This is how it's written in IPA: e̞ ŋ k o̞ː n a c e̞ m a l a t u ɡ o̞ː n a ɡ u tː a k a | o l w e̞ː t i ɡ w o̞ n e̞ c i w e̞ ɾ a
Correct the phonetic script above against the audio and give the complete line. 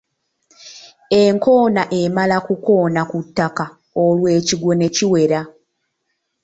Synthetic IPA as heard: e̞ ŋ k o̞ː n a ʔ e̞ m a l a k u k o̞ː n a k u tː a k a | o l w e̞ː c i ɡ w o̞ n e̞ c i w e̞ ɾ a